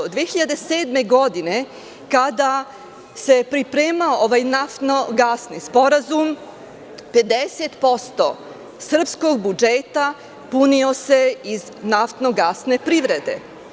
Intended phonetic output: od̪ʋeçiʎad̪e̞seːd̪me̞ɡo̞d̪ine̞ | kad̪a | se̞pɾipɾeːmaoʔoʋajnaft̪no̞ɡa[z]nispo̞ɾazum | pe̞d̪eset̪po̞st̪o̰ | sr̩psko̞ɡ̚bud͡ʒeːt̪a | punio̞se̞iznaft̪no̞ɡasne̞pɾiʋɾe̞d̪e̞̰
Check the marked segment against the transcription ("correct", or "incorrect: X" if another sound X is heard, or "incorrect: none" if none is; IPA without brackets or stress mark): incorrect: s